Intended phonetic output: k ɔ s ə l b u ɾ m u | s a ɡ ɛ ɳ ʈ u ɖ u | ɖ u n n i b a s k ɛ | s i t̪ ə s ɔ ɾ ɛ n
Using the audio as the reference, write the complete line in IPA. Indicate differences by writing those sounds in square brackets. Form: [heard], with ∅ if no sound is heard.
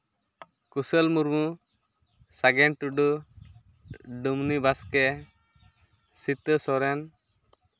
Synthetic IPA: k [u] s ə l [m] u ɾ m u | s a ɡ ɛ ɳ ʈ u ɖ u | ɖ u [m] n i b a s k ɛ | s i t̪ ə s ɔ ɾ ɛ n